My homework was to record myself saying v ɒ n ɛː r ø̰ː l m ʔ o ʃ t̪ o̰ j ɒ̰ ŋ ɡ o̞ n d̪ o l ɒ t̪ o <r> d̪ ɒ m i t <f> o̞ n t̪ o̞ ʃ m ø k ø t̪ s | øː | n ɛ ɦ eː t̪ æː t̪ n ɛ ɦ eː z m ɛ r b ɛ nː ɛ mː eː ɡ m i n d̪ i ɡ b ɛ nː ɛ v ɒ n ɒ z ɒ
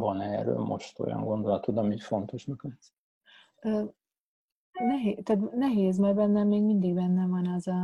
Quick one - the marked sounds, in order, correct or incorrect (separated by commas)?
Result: incorrect, correct